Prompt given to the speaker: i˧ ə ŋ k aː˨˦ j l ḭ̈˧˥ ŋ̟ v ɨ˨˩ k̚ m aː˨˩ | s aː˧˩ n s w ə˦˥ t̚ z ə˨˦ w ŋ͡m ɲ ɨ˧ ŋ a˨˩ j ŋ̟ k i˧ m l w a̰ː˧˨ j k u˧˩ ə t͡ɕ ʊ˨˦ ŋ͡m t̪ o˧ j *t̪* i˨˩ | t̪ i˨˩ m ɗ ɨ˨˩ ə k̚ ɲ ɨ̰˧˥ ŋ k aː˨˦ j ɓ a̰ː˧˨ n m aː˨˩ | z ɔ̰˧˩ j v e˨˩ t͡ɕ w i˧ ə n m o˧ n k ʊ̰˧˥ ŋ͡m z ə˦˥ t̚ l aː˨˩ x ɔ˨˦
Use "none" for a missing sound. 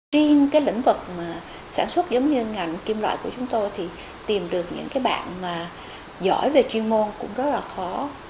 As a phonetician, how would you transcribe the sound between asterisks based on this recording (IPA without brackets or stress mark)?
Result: t̪ʰ